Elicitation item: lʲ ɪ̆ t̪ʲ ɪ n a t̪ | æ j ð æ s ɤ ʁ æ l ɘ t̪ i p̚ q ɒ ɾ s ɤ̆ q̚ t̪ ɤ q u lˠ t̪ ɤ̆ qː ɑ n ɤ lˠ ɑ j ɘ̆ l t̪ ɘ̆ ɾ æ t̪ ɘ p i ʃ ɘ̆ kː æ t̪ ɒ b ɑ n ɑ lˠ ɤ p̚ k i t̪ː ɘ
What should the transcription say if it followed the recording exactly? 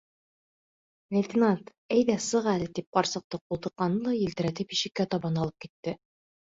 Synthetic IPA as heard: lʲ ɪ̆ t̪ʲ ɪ n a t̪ | æ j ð æ s ɤ ʁ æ l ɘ t̪ i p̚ q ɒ ɾ s ɤ̆ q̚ t̪ ɤ q u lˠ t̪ ɤ̆ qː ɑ n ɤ lˠ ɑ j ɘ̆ l t̪ ɘ̆ ɾ æ t̪ ɘ p i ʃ ɘ̆ kː æ t̪ ɒ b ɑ n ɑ lˠ ɤ p̚ k i t̪ː ɘ